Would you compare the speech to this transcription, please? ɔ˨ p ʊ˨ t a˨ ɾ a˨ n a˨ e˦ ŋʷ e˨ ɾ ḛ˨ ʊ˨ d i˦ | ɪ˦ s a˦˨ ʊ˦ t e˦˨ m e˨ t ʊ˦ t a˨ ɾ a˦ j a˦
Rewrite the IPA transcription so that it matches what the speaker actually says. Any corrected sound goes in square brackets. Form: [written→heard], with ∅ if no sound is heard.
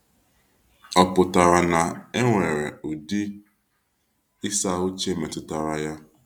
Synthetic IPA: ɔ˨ p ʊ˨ t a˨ ɾ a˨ n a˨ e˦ ŋʷ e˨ ɾ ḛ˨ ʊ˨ d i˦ | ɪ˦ s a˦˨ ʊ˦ [t→t͡ʃ] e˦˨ m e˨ t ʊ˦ t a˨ ɾ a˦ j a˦